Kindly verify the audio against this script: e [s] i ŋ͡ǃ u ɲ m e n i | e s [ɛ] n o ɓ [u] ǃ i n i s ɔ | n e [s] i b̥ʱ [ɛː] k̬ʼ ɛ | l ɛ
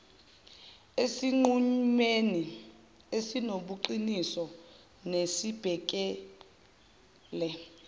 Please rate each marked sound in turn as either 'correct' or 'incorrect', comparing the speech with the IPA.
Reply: correct, incorrect: i, correct, correct, incorrect: ɛ

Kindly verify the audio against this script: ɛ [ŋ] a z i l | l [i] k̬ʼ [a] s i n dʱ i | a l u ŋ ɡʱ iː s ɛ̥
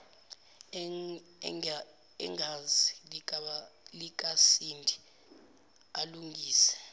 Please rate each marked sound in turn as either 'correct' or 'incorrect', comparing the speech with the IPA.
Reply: correct, correct, correct

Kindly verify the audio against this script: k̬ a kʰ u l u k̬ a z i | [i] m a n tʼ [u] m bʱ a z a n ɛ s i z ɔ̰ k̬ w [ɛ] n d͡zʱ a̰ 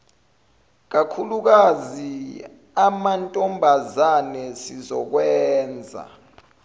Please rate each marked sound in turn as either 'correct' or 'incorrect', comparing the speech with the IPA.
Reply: incorrect: a, incorrect: ɔ, incorrect: ɛː

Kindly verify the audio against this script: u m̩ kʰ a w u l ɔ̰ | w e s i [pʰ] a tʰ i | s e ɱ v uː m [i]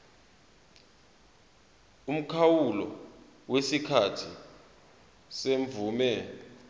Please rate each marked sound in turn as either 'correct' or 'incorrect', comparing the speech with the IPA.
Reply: incorrect: kʰ, incorrect: ɛ

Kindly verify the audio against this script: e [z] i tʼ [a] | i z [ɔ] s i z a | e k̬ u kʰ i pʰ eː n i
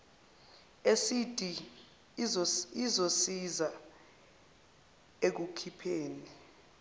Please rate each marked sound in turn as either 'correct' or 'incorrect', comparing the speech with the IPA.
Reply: incorrect: s, incorrect: i, incorrect: o

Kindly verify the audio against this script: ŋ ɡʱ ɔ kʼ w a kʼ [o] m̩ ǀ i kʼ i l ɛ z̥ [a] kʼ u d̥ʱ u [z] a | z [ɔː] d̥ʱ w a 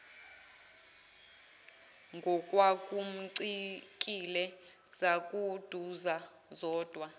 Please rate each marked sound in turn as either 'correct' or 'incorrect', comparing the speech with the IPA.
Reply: incorrect: u, correct, correct, correct

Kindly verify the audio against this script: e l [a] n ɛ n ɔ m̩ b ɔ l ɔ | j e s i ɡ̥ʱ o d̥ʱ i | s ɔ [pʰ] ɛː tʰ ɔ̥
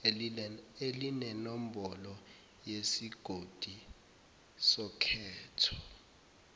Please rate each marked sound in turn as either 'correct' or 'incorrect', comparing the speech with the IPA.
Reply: incorrect: i, incorrect: kʰ

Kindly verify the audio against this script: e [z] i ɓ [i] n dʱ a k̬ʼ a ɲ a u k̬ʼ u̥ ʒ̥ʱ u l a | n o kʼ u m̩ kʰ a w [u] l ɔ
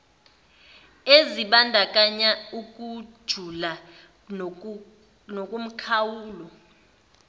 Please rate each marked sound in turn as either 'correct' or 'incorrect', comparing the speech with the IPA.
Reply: correct, incorrect: a, incorrect: uː

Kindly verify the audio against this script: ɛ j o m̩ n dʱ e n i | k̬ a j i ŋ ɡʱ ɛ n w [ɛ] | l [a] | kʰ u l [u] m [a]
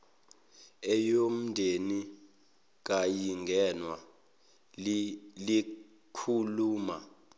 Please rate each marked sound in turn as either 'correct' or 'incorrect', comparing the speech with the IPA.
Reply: incorrect: a, incorrect: i, incorrect: uː, correct

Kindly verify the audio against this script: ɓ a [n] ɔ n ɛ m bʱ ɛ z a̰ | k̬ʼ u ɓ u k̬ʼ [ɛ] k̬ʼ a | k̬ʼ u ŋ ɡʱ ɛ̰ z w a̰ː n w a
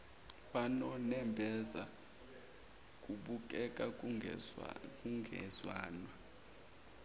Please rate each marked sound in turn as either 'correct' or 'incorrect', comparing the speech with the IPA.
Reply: correct, correct

